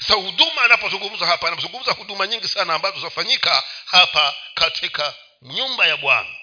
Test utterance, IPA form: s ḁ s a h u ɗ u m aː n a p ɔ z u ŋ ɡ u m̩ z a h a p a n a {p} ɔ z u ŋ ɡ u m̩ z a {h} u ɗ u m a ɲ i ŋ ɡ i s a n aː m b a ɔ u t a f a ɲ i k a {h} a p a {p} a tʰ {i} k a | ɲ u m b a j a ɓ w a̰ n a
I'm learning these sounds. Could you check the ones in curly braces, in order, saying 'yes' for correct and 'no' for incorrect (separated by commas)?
yes, yes, yes, no, yes